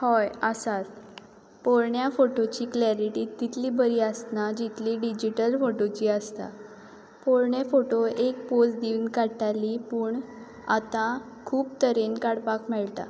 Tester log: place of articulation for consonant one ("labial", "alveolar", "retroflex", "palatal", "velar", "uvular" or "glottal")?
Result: glottal